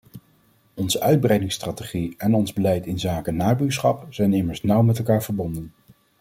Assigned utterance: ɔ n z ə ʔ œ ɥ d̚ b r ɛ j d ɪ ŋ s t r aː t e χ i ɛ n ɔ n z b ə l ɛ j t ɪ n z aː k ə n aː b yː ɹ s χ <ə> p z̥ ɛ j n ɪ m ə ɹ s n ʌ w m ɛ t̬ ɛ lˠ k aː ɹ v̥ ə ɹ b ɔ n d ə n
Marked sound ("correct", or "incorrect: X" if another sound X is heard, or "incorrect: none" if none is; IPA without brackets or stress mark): incorrect: ɑ